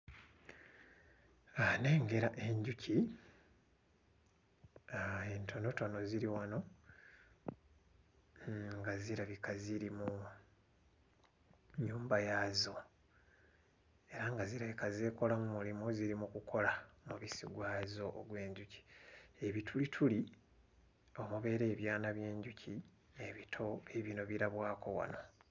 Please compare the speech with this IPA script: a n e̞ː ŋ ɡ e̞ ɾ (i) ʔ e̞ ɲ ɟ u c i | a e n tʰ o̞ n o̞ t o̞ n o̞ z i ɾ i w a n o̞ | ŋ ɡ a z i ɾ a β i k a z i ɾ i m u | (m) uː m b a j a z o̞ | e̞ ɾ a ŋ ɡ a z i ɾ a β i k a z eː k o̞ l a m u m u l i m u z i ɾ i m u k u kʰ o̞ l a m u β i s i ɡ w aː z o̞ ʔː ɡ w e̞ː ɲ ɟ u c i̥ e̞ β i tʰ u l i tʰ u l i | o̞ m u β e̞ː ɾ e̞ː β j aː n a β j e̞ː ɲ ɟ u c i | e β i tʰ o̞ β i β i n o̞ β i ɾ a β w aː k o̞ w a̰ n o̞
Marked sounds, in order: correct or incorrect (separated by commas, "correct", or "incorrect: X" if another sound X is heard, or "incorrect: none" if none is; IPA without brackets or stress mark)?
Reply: incorrect: a, incorrect: ɲ